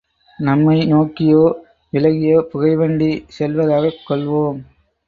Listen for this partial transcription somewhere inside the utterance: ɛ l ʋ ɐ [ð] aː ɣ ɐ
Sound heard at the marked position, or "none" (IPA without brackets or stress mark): ð